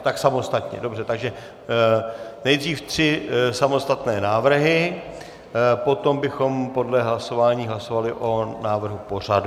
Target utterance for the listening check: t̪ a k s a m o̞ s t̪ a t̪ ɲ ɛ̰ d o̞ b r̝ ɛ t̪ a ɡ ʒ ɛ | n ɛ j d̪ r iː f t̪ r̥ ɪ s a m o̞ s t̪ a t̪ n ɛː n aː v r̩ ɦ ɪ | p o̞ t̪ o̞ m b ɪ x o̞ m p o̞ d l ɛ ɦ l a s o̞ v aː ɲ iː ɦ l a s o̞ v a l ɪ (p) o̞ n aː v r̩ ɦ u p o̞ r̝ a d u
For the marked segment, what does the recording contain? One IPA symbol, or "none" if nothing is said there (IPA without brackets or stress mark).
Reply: ʔ